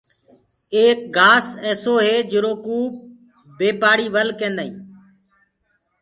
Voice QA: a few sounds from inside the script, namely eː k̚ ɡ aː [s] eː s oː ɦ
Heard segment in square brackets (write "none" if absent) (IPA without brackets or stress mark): s